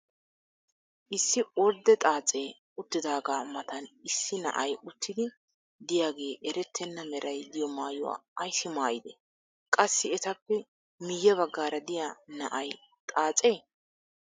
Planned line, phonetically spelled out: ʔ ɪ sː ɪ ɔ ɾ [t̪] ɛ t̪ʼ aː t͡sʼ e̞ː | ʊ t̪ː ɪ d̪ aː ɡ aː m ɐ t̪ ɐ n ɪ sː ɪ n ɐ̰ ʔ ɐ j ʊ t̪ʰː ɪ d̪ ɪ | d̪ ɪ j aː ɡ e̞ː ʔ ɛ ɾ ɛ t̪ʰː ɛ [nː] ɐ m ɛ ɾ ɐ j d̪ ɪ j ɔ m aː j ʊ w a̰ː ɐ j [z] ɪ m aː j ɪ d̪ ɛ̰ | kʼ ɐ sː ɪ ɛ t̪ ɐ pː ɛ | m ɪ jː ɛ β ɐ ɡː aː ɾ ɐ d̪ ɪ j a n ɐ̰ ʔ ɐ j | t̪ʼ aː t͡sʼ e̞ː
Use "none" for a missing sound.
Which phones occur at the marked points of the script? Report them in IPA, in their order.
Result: d̪, nː, s

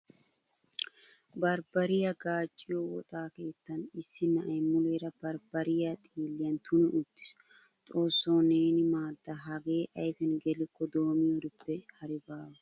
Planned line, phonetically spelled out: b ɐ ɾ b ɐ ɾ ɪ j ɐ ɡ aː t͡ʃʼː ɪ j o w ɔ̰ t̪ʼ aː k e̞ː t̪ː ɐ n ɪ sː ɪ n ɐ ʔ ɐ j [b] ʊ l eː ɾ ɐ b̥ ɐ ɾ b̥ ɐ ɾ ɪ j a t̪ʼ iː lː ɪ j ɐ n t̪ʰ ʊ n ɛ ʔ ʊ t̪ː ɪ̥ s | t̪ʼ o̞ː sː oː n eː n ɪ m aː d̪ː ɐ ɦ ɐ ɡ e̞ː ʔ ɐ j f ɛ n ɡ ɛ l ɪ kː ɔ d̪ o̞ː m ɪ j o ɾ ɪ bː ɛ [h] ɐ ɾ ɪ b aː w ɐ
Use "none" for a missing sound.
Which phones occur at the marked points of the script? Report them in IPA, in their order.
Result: m, h

